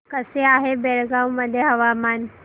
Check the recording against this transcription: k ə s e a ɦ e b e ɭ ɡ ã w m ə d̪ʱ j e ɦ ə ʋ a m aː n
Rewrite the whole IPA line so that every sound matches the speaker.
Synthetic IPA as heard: k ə s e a ɦ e b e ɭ ɡ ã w m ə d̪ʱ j e ɦ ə ʋ a m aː n